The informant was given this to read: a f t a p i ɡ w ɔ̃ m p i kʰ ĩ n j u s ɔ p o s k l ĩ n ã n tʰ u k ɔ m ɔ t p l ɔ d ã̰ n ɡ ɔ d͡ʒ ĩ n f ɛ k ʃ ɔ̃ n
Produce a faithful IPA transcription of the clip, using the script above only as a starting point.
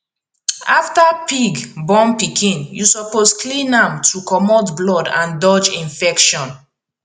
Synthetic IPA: a f t a p i ɡ b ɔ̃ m p i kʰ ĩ n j u s ɔ p o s k l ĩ n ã m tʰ u k ɔ m ɔ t b l ɔ d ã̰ n d ɔ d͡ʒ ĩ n f ɛ k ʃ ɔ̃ n